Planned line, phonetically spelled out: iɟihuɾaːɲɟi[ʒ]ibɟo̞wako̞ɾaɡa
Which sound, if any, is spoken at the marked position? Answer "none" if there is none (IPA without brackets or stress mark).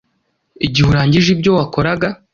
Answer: ʒ